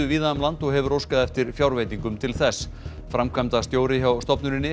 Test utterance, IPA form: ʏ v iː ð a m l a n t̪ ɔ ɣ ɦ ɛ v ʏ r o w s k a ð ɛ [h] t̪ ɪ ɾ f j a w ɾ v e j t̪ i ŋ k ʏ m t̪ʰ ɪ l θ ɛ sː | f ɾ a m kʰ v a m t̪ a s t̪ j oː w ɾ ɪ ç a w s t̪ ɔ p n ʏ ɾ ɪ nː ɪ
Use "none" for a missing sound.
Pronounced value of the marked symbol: f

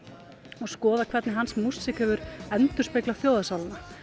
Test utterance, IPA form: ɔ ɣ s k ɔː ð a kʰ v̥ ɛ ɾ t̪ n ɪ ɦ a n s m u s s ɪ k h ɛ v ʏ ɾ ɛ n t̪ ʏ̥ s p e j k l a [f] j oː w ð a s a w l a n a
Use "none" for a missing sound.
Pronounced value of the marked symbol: f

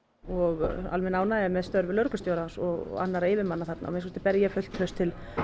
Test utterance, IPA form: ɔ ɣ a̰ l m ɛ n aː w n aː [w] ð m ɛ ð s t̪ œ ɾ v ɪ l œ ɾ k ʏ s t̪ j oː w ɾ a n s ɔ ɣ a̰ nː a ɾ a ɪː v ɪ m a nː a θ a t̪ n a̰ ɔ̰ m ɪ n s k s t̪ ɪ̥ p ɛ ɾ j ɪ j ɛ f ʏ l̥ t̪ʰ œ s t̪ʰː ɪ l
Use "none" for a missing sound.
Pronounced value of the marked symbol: none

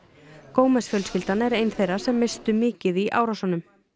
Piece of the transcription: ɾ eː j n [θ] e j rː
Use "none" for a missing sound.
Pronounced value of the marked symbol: θ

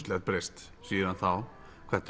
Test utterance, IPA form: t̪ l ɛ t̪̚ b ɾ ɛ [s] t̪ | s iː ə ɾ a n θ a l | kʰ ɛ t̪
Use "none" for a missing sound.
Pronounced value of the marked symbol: s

